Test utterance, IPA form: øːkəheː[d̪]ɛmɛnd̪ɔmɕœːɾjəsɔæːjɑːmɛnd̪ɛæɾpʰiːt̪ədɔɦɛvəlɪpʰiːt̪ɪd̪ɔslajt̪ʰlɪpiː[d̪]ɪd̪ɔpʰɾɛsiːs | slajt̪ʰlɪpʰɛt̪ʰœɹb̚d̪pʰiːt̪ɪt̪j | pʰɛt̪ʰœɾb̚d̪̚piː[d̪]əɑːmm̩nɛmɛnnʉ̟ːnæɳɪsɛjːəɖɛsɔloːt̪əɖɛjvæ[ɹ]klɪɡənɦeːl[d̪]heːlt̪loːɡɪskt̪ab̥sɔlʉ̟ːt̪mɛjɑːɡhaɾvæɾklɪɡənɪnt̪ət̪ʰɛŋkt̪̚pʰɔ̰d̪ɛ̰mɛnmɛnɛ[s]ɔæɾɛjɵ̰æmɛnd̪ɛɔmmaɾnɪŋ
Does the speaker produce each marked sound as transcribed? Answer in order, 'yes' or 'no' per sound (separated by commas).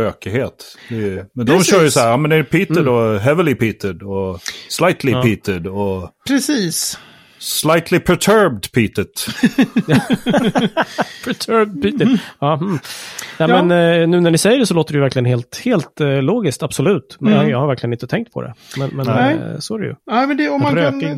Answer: no, no, no, no, no, yes